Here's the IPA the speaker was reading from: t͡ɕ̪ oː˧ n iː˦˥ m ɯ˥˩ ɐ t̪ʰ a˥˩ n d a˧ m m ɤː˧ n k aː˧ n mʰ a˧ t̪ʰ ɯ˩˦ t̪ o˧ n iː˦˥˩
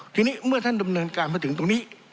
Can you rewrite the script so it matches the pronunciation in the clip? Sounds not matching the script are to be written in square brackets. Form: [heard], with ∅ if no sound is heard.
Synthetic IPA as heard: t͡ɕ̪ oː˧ n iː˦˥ m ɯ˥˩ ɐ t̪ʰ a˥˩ n d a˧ m [n] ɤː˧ n k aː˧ n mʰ [a˥˩] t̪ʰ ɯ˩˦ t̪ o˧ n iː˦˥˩